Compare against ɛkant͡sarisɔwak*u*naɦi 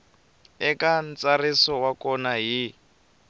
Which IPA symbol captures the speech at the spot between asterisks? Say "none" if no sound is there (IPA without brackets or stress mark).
ɔ